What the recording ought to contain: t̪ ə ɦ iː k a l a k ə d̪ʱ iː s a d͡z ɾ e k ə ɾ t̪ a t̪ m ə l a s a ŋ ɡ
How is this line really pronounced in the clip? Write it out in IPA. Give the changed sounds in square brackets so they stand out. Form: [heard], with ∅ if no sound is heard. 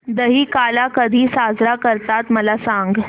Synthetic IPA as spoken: [d̪] ə ɦ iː k a l a k ə d̪ʱ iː s a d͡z ɾ [a] k ə ɾ t̪ a t̪ m ə l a s a ŋ ɡ